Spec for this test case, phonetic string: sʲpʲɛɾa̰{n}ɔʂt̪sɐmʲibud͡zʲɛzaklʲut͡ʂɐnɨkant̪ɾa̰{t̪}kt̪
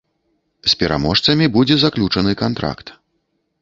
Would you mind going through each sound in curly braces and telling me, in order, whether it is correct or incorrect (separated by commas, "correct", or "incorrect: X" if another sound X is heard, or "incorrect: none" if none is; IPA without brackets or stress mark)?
incorrect: m, incorrect: none